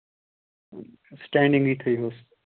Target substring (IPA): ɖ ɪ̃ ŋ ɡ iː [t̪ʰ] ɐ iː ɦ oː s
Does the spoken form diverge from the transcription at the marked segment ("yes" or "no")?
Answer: no